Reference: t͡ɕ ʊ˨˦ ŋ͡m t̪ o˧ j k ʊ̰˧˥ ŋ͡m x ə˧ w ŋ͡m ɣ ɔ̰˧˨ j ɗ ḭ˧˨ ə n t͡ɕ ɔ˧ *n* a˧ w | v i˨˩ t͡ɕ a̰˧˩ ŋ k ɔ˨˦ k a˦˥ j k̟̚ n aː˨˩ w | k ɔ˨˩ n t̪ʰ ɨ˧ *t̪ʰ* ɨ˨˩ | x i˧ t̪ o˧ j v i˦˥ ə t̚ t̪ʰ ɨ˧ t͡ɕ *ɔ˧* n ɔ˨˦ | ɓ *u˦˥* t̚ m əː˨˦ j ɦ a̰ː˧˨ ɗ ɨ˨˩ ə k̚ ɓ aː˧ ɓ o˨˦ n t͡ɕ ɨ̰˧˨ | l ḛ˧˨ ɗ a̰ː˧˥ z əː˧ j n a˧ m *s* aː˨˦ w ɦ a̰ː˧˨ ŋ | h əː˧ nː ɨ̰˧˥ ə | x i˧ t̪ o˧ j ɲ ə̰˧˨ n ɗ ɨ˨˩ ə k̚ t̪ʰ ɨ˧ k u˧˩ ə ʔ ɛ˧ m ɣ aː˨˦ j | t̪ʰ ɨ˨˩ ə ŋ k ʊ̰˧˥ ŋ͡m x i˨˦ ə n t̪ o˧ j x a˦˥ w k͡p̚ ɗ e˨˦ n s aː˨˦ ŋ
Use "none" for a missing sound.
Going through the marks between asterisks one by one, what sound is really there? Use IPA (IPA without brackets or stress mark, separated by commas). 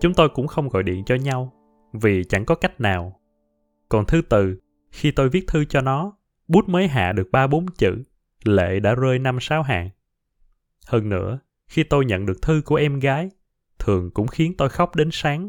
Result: ɲ, t̪, ɔ˧, u˦˥, s